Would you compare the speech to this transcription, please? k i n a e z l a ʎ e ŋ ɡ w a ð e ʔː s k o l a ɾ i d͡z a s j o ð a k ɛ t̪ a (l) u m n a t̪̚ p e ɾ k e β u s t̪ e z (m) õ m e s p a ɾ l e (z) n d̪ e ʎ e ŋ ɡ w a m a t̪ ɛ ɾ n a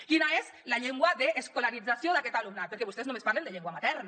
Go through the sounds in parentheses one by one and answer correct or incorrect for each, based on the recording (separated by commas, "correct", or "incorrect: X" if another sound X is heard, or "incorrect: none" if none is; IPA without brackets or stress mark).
correct, incorrect: n, incorrect: none